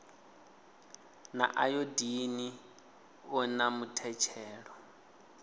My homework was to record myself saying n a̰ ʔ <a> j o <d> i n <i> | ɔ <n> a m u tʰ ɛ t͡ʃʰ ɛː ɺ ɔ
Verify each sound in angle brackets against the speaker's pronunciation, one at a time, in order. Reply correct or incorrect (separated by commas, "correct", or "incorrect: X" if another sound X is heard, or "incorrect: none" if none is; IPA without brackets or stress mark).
correct, correct, correct, correct